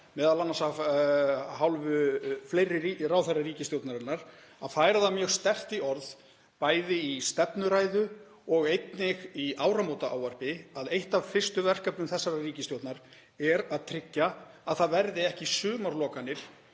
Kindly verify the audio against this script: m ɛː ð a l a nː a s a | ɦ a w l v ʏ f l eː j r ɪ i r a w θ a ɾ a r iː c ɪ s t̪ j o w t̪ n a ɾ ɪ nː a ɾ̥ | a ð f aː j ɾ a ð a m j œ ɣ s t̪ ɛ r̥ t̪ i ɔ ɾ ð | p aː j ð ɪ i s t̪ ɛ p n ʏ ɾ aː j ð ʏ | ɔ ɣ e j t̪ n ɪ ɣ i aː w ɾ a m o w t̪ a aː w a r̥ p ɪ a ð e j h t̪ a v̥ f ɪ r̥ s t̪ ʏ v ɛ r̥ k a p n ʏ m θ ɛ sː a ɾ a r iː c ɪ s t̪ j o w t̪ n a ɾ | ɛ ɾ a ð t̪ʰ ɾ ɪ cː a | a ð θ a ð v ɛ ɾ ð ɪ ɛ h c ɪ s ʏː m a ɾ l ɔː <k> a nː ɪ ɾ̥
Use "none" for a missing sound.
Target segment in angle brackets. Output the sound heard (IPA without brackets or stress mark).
k